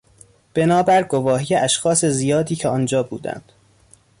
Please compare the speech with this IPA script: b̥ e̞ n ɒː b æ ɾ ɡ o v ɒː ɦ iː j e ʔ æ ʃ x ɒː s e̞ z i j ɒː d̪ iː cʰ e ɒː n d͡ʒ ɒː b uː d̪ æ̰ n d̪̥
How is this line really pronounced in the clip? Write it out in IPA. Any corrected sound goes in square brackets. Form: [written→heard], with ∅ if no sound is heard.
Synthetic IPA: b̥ e̞ n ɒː b æ ɾ ɡ o v ɒː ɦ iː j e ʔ æ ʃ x ɒː s e̞ z i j ɒː d̪ iː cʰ e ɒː n d͡ʒ ɒː b uː d̪ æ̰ n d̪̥